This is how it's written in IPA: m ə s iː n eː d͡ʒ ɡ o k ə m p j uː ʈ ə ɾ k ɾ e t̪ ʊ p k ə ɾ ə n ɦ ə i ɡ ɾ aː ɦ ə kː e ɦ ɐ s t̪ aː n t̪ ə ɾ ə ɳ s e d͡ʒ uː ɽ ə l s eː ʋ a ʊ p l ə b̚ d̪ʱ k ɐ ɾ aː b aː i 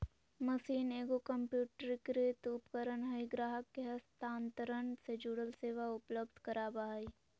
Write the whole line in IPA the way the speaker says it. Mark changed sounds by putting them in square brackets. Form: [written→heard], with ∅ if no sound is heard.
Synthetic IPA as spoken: m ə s iː n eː [d͡ʒ→∅] ɡ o k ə m p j uː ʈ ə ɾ k ɾ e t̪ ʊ p k ə ɾ ə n ɦ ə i ɡ ɾ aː ɦ ə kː e ɦ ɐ s t̪ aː n t̪ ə ɾ ə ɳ s e d͡ʒ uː ɽ ə l s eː ʋ a ʊ p l ə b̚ d̪ʱ k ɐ ɾ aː b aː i